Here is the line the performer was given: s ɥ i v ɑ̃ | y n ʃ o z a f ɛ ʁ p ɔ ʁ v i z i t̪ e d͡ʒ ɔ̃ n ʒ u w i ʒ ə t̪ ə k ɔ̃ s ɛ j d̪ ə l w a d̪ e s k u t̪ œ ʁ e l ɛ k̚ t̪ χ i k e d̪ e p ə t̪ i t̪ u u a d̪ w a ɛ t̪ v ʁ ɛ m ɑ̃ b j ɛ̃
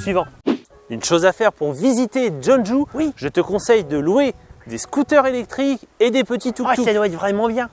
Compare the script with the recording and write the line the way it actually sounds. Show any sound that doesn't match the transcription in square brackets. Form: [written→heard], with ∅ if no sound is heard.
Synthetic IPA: s ɥ i v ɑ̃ | y n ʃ o z a f ɛ ʁ p [ɔ→u] ʁ v i z i t̪ e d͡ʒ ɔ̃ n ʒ u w i ʒ ə t̪ ə k ɔ̃ s ɛ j d̪ ə l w [a→e] d̪ e s k u t̪ œ ʁ e l ɛ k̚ t̪ χ i k e d̪ e p ə t̪ i t̪ u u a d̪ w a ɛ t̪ v ʁ ɛ m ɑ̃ b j ɛ̃